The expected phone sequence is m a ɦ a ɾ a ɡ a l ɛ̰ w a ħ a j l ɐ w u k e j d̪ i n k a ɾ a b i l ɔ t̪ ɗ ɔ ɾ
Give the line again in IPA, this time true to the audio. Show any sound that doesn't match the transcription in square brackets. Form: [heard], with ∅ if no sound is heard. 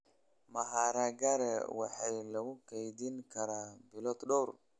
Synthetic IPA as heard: m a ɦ a ɾ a ɡ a [ɾ] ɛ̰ w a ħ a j l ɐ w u k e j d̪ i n k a ɾ a b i l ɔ t̪ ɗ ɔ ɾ